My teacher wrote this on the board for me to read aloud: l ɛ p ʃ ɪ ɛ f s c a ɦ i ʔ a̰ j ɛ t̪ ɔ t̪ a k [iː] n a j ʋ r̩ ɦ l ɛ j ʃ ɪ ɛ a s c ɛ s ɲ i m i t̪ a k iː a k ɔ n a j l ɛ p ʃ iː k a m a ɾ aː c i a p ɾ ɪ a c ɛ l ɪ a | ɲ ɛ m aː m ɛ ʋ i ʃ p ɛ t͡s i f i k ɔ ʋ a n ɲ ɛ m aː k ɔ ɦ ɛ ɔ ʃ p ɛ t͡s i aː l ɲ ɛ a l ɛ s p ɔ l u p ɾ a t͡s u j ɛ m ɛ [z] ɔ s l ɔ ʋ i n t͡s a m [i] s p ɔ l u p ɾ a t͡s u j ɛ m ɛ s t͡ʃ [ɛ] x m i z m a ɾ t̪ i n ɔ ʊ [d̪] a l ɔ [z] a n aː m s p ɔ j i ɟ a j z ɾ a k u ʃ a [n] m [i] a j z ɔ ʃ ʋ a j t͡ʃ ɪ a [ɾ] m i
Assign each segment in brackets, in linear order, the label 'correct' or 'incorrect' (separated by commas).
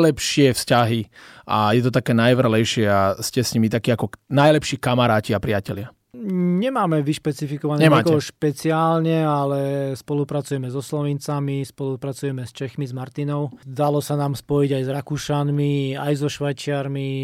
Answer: incorrect, correct, correct, correct, correct, incorrect, correct, correct, correct